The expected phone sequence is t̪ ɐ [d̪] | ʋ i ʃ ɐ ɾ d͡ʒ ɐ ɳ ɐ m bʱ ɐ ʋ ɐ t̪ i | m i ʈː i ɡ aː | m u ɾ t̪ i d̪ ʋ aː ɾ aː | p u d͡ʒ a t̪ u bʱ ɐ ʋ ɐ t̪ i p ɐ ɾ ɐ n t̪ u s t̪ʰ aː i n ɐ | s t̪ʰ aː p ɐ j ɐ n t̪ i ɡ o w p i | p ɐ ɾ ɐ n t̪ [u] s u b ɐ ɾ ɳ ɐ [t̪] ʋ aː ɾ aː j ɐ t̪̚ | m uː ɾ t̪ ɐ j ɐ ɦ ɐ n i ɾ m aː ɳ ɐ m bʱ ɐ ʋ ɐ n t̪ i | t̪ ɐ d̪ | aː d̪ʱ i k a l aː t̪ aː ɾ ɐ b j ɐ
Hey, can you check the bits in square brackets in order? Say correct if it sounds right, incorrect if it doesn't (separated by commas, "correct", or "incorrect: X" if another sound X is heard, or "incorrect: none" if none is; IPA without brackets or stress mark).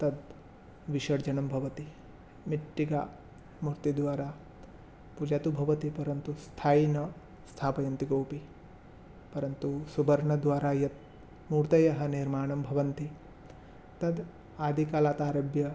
correct, correct, incorrect: d̪